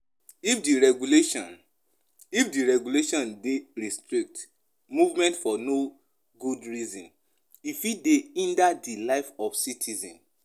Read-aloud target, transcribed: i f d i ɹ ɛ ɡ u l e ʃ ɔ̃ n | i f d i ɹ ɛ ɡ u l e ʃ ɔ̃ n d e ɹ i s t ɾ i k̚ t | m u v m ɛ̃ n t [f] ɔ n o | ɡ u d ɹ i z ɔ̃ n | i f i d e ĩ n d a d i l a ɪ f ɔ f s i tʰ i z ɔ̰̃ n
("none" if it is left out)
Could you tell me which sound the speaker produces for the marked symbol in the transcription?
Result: f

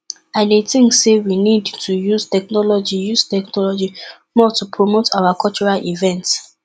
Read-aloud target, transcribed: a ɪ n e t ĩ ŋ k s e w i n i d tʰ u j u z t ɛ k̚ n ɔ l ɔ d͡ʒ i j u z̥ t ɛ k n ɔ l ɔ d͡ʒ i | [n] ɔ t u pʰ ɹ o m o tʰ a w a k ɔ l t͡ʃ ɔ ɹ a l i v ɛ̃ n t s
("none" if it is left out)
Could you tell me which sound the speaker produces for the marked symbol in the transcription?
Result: m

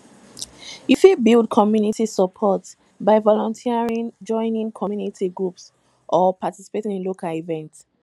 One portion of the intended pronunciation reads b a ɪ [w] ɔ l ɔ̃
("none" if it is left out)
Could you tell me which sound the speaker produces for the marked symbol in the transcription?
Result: v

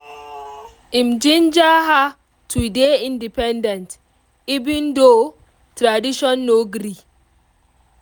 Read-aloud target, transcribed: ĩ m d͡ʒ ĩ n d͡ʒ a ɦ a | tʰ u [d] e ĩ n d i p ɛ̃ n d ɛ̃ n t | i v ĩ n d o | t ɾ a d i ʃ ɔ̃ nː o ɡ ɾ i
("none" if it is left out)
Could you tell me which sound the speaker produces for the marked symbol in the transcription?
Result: d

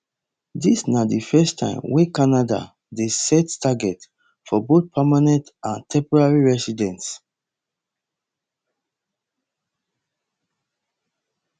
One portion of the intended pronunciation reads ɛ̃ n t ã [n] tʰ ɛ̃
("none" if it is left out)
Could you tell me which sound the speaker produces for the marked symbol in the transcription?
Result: n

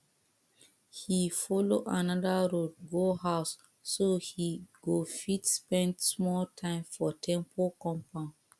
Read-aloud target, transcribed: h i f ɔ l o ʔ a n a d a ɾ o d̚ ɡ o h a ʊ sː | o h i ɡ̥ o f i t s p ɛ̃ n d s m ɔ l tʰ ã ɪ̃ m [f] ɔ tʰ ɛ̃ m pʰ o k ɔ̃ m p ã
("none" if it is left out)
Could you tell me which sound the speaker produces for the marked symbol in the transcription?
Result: f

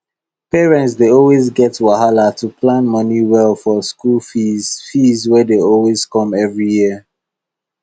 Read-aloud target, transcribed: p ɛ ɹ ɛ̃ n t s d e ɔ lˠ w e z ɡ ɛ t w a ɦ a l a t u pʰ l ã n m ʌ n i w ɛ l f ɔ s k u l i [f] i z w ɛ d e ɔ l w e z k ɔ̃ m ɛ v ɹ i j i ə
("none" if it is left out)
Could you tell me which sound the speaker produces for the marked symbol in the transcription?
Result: f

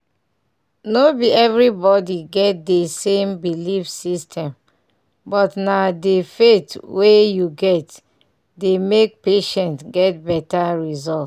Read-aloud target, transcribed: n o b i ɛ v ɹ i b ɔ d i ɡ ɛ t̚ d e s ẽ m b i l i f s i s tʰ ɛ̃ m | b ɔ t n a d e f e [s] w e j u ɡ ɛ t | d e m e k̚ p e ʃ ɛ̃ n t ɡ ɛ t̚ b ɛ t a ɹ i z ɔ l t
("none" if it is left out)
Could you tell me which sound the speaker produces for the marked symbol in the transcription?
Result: t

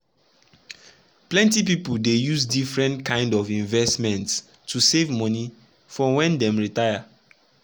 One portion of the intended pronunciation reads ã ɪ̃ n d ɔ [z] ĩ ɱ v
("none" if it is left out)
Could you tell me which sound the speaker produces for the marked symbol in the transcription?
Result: v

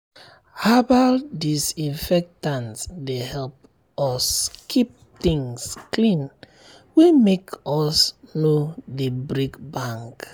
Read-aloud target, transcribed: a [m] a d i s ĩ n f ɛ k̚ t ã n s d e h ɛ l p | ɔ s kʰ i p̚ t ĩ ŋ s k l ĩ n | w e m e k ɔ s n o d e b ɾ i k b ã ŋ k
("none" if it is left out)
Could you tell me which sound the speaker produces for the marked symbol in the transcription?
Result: b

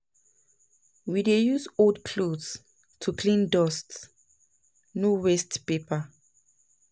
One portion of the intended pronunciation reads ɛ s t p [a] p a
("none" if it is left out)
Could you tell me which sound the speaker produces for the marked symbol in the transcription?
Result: e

